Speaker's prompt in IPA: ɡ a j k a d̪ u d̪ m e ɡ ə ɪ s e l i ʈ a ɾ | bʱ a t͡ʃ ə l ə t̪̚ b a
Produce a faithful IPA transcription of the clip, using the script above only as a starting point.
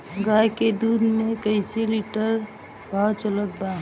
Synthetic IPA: ɡ a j k e d̪ u d̪ m e k ə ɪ s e l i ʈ ə ɾ | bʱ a t͡ʃ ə l ə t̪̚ b a